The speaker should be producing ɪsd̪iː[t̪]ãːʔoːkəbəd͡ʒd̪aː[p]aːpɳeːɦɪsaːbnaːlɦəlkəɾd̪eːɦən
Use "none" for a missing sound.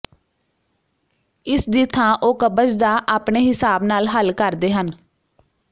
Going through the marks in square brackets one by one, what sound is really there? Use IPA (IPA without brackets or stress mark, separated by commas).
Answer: t̪ʰ, ʔ